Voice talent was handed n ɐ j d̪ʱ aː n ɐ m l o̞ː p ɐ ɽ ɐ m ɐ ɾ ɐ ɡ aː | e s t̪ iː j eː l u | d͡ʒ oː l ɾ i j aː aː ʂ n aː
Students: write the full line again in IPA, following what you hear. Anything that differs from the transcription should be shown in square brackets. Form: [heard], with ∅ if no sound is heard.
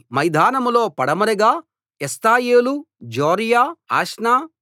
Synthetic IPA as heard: [m] ɐ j d̪ʱ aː n ɐ m l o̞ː p ɐ ɽ ɐ m ɐ ɾ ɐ ɡ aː | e s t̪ [aː] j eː l u | d͡ʒ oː [∅] ɾ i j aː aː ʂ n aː